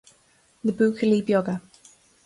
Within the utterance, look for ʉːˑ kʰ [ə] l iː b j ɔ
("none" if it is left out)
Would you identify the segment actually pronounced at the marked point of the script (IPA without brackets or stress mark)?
ə